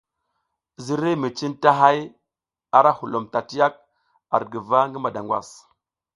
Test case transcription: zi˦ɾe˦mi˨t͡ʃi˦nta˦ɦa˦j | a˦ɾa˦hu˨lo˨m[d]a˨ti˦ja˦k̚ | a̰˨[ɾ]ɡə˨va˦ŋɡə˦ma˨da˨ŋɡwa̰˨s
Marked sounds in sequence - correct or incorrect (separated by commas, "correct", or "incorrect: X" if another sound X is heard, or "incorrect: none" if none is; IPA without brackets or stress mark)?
incorrect: t, correct